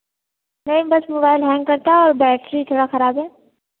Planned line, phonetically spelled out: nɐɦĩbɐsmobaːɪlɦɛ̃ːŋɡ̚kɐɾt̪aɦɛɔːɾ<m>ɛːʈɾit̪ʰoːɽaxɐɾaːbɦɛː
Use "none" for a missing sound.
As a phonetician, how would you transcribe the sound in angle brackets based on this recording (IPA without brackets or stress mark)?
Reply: b